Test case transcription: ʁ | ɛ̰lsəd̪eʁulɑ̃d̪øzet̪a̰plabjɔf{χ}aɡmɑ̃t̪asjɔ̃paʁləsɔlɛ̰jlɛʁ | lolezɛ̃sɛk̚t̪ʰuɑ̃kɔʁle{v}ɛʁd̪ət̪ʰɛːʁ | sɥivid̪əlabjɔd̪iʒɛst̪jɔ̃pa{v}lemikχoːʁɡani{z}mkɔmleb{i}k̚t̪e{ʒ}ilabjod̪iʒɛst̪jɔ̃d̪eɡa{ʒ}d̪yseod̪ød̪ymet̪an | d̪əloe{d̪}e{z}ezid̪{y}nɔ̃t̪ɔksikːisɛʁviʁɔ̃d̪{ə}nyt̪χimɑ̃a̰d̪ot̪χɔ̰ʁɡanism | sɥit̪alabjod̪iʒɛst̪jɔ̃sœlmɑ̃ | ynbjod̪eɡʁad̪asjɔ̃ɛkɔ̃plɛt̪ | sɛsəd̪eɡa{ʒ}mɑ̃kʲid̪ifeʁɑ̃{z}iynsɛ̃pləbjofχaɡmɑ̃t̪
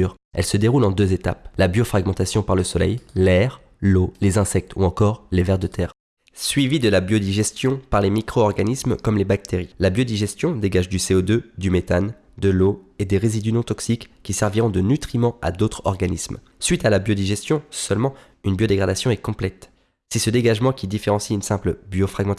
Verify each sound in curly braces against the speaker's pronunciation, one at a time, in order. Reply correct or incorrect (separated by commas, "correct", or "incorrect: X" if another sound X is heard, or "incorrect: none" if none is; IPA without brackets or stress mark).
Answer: correct, correct, incorrect: ʁ, incorrect: s, incorrect: a, incorrect: ʁ, correct, correct, incorrect: ʁ, correct, correct, correct, incorrect: s